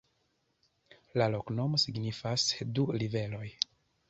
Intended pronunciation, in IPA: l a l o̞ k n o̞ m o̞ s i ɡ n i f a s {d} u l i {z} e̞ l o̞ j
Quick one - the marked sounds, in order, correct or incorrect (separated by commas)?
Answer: correct, incorrect